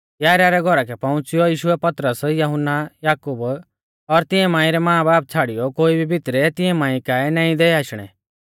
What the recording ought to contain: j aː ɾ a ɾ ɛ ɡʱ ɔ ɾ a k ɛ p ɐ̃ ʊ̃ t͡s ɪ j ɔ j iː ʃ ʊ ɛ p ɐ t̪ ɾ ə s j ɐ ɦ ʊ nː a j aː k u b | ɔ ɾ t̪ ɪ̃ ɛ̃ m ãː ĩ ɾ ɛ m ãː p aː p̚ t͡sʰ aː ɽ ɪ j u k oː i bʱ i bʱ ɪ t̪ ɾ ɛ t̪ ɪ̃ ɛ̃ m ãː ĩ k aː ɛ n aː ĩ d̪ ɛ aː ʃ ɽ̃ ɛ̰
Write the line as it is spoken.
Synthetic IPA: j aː ɾ a ɾ ɛ ɡʱ ɔ ɾ a k ɛ p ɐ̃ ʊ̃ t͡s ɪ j ɔ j iː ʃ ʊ ɛ p ɐ t̪ ɾ ə s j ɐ ɦ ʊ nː a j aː k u b | ɔ ɾ t̪ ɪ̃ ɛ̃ m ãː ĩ ɾ ɛ m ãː b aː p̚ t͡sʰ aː ɽ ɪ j ɔ k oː i bʱ i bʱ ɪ t̪ ɾ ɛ t̪ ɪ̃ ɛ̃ m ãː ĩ k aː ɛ n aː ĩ d̪ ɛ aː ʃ ɽ̃ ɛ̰